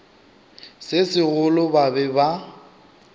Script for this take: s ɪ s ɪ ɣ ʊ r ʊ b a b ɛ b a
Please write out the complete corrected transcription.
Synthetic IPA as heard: s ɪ s ɪ ɣ ʊ l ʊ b a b ɛ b a